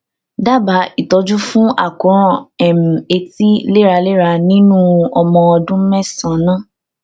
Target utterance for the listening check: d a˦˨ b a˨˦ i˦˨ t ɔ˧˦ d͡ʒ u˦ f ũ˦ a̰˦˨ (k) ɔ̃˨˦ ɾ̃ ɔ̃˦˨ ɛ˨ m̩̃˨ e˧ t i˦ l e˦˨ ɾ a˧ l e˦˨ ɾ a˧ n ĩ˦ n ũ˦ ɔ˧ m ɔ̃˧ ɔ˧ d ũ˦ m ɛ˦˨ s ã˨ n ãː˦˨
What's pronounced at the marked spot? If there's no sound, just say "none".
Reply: k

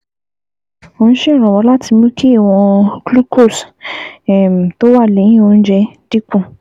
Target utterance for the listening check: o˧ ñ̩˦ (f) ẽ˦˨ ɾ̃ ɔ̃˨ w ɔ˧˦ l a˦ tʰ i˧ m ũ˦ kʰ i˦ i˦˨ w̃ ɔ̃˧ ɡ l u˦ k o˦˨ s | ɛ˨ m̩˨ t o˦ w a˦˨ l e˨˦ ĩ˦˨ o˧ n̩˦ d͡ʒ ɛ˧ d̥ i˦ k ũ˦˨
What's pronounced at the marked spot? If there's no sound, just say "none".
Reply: ʃ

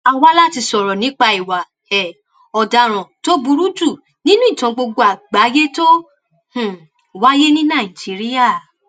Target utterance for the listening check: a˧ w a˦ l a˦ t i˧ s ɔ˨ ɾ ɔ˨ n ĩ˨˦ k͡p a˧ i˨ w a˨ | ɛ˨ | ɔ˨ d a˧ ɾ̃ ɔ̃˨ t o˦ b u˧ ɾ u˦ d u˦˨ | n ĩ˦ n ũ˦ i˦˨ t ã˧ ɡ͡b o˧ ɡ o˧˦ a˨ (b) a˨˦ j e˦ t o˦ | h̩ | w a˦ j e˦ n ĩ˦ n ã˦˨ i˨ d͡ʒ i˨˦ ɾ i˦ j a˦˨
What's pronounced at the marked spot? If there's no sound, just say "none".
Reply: ɡ͡b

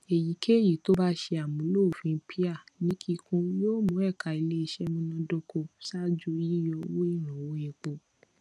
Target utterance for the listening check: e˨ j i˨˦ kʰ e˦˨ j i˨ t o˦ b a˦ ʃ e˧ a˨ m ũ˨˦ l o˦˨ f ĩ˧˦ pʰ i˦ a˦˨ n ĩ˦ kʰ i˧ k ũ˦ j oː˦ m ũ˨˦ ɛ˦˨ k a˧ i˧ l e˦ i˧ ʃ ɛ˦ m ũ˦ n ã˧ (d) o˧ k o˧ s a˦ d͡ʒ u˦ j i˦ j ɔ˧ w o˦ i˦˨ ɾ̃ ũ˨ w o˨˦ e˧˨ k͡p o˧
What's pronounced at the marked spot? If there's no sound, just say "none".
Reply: d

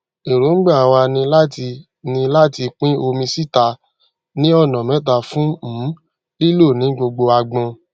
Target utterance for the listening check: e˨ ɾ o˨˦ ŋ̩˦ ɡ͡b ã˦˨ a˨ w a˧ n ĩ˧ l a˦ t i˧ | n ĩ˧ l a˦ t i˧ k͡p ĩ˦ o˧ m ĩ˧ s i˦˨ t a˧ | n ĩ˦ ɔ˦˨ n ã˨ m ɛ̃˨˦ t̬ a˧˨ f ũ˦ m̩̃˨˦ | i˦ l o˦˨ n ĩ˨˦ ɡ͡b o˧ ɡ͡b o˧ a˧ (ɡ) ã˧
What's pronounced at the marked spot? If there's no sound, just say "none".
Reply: ɡ͡b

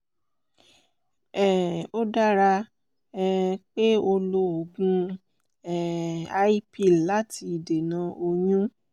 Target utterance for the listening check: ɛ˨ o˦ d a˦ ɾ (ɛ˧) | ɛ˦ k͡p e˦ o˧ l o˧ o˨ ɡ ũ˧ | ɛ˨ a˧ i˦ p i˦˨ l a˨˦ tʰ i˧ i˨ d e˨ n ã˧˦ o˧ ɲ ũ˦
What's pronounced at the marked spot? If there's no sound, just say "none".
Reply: a˧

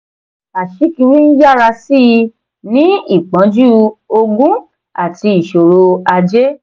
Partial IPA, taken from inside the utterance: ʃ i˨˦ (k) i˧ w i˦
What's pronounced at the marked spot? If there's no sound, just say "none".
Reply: k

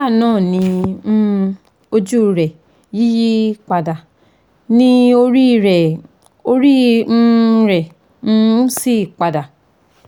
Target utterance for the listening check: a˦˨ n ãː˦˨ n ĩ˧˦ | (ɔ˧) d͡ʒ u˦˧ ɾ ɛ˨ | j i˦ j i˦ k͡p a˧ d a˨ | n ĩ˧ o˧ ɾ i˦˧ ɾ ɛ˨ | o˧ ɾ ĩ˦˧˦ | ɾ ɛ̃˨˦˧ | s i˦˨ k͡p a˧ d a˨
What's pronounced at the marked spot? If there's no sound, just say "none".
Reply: o˧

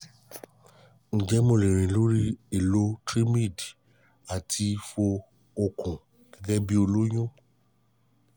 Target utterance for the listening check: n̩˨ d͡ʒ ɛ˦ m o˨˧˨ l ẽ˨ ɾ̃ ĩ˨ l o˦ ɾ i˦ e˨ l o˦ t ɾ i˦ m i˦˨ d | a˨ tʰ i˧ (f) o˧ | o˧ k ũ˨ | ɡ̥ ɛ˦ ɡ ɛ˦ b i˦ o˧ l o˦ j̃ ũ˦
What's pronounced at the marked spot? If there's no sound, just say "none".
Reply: f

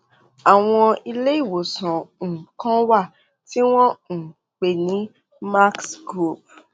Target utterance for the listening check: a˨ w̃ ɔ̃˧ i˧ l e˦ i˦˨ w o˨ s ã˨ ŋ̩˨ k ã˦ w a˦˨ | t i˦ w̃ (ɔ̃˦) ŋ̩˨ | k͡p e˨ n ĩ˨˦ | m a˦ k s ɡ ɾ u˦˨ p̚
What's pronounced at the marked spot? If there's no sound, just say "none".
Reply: ɔ̃˦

